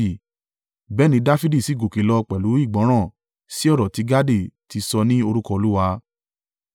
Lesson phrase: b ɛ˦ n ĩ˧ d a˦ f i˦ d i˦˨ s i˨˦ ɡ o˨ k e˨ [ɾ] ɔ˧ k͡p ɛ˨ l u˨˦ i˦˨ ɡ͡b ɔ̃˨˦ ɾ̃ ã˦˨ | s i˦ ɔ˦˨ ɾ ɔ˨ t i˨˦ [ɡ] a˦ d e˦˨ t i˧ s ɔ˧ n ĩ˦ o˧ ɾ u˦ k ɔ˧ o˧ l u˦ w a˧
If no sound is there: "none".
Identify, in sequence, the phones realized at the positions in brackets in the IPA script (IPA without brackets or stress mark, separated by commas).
l, ɡ